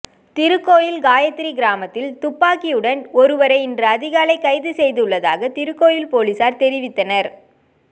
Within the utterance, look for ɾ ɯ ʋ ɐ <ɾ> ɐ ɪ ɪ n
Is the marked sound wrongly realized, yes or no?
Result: no